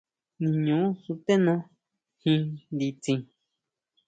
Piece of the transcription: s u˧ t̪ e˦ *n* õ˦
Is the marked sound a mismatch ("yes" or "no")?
no